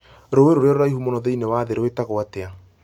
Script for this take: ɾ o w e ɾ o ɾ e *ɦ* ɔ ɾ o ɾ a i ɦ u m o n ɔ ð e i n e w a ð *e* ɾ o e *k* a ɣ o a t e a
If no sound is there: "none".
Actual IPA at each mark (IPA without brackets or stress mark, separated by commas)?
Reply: none, e, t